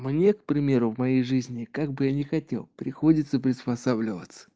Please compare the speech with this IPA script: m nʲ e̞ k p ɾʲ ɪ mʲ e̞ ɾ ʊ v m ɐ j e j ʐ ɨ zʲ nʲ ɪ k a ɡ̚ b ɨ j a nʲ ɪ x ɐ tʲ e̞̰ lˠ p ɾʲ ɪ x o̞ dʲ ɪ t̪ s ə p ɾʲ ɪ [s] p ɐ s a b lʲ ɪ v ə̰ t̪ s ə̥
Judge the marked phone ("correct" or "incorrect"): correct